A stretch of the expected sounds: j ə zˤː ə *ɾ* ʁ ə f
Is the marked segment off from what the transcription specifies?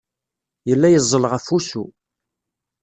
yes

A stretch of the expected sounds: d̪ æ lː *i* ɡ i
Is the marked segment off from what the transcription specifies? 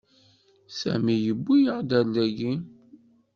yes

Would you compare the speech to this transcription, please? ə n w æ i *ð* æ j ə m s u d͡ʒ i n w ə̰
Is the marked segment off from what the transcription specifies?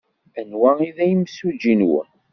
no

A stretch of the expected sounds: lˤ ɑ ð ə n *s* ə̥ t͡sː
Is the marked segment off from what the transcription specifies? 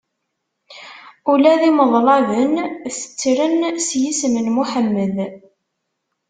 yes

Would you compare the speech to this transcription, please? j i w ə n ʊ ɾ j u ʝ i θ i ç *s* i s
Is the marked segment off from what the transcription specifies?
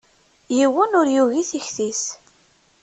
yes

